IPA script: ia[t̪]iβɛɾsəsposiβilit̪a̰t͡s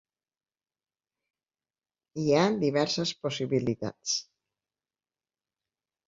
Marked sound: incorrect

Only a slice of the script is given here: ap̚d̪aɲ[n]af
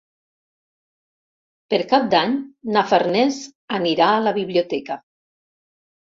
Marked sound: correct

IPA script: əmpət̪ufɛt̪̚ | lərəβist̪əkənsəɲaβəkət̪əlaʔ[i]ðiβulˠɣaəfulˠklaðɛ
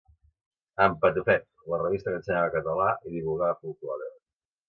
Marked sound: correct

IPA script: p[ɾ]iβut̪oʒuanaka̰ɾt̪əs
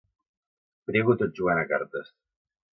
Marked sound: correct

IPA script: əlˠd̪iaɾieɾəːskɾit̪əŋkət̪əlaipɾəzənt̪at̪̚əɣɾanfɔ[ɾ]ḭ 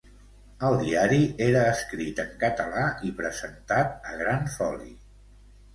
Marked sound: incorrect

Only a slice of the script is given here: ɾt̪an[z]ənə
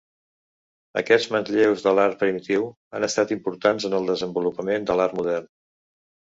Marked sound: correct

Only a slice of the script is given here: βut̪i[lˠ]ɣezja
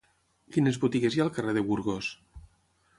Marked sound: incorrect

